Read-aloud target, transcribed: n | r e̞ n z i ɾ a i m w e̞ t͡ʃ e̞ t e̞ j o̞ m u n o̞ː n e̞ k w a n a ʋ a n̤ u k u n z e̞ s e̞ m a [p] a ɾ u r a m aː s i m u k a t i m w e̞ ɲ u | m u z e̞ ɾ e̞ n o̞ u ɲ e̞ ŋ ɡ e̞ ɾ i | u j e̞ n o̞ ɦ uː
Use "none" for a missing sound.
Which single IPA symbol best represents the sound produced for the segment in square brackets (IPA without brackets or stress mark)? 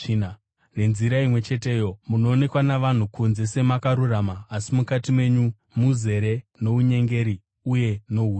k